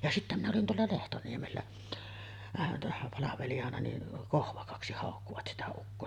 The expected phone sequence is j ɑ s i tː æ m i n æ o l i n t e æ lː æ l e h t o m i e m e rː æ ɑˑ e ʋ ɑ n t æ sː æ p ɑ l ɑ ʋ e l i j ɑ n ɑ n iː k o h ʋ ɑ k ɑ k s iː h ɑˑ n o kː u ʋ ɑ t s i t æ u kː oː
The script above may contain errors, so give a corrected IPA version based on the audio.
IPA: j ɑ s i tː æ m i n æ o l i n t e æ lː æ l e h t o n i e m e lː æ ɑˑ e ʋ ɑ n t æ sː æ p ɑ l ɑ ʋ e l i j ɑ n ɑ n i k o h ʋ ɑ k ɑ k s i h ɑˑ o kː u ʋ ɑ t s i t æ u kː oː